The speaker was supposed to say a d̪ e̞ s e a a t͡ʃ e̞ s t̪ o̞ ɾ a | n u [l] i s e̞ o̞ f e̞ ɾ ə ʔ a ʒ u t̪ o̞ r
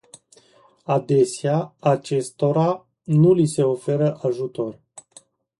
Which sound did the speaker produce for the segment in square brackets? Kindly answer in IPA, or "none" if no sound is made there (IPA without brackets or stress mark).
l